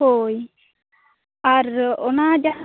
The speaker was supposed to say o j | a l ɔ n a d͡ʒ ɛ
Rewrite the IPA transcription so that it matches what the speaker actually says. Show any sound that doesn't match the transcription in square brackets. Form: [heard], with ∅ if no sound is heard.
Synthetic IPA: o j | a [ɾ] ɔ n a d͡ʒ [a]